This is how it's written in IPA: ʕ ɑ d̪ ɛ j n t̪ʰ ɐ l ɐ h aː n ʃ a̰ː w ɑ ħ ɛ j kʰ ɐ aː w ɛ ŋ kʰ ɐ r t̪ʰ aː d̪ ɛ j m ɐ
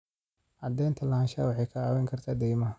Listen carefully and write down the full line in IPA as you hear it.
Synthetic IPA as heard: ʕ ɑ d̪ ɛ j n t̪ʰ ɐ l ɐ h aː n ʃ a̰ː w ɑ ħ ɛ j kʰ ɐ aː w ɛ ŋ kʰ ɐ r t̪ʰ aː d̪ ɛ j m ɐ